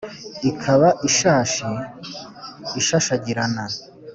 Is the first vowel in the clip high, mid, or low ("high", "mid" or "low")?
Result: high